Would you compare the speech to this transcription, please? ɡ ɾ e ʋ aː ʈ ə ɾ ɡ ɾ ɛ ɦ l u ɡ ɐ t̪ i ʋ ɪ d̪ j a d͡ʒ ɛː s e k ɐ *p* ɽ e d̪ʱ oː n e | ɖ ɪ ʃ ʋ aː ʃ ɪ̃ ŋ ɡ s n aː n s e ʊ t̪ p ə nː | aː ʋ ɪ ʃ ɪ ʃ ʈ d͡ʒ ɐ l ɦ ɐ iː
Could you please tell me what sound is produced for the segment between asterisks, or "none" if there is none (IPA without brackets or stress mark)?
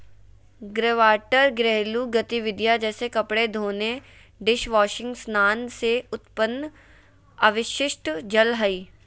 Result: p